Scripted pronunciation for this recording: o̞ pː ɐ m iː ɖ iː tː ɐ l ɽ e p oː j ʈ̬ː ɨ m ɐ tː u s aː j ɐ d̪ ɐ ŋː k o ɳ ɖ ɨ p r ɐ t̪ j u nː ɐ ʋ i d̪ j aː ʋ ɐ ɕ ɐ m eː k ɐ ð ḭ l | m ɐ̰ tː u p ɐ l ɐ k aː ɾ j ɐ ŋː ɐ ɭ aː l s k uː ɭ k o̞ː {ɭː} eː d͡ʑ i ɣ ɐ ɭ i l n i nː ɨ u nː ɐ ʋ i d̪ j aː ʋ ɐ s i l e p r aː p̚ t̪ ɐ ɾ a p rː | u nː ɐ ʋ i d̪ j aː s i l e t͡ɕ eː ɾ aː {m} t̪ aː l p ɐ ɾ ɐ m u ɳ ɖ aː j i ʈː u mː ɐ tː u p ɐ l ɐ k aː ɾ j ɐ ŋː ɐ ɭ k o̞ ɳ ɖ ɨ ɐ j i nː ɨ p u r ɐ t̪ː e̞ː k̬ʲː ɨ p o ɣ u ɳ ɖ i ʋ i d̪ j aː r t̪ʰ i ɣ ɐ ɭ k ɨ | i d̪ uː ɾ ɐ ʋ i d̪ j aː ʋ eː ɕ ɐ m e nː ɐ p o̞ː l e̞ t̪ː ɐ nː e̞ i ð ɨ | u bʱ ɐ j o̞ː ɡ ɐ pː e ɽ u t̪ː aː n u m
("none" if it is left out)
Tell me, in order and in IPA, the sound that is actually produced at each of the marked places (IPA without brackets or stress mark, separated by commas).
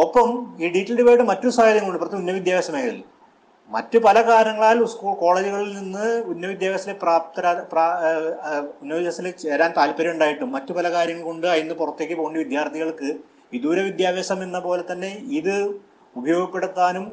ɭ, n